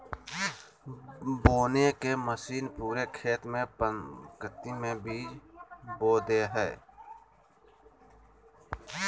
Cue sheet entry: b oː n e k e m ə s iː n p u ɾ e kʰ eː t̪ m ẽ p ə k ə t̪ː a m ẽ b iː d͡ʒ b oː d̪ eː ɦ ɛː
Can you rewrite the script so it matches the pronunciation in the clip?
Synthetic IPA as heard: b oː n e k e m ə s iː n p uː ɾ e kʰ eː t̪ m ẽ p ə k ə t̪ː i m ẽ b iː d͡ʒ b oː d̪ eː ɦ ɛː